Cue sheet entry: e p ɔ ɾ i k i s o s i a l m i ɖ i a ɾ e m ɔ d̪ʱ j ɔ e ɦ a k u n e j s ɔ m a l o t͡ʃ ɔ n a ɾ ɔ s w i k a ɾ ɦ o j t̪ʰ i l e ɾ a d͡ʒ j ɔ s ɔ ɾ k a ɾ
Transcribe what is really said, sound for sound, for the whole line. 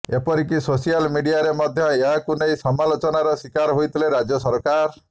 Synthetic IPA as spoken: e p ɔ ɾ i k i s o s i a l m i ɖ i a ɾ e m ɔ d̪ʱ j ɔ e ɦ a k u n e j s ɔ m a l o t͡ʃ ɔ n a ɾ ɔ s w i k a ɾ ɦ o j t̪ʰ i l e ɾ a d͡ʒ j ɔ s ɔ ɾ k a ɾ